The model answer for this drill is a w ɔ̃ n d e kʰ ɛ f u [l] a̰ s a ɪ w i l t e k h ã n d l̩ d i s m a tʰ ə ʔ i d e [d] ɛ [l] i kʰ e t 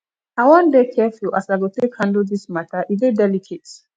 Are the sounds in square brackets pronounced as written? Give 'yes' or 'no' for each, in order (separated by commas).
yes, yes, yes